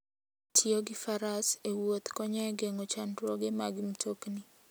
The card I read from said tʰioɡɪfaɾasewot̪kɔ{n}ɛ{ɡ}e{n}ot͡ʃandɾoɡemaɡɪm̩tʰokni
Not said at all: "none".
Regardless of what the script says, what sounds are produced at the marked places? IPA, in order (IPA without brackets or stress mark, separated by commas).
ɲ, ɡ, ŋ